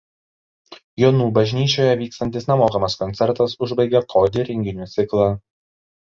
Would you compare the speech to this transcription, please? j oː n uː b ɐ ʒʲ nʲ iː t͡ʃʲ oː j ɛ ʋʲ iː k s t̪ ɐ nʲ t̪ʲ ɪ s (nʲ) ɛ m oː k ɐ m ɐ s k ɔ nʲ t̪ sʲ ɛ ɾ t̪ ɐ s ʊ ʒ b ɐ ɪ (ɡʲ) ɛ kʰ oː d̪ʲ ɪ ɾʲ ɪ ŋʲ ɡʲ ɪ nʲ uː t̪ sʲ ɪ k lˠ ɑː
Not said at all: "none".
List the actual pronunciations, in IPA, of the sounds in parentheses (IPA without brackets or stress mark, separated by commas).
nʲ, ɡʲ